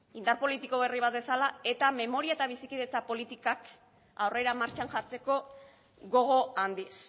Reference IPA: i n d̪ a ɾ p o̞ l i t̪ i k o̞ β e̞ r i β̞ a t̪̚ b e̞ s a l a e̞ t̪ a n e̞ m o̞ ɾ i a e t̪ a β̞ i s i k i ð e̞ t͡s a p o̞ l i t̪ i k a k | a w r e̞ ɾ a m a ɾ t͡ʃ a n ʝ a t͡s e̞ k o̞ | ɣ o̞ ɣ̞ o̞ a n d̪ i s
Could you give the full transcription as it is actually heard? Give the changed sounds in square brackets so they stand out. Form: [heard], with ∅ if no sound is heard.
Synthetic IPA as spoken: i n d̪ a ɾ p o̞ l i t̪ i k o̞ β e̞ r i β̞ a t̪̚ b e̞ s a l a e̞ t̪ a [m] e̞ m o̞ ɾ i a e t̪ a β̞ i s i k i ð e̞ t͡s a p o̞ l i t̪ i k a k | a w r e̞ ɾ a m a ɾ t͡ʃ a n ʝ a t͡s e̞ k o̞ | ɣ o̞ ɣ̞ o̞ a n d̪ i s